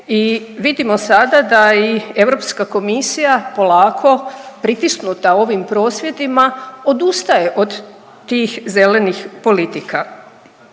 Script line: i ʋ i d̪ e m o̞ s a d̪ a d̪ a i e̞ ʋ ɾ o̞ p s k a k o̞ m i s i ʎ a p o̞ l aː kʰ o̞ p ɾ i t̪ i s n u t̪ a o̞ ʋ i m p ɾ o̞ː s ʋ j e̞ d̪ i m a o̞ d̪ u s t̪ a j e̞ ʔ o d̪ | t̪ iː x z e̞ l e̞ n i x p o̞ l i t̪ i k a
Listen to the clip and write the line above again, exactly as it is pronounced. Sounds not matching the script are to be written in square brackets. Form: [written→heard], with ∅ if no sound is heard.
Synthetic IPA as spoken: i ʋ i d̪ [e→i] m o̞ s a d̪ a d̪ a i e̞ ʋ ɾ o̞ p s k a k o̞ m i s i [ʎ→j] a p o̞ l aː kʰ o̞ p ɾ i t̪ i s n u t̪ a o̞ ʋ i m p ɾ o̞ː s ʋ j e̞ d̪ i m a o̞ d̪ u s t̪ a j e̞ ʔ o d̪ | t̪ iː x z e̞ l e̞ n i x p o̞ l i t̪ i k a